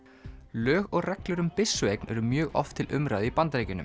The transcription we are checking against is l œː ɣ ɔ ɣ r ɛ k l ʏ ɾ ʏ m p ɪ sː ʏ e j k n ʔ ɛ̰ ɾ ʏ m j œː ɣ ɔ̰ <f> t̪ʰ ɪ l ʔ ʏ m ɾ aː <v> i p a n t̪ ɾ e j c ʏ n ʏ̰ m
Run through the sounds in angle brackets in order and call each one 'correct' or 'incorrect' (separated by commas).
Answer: correct, incorrect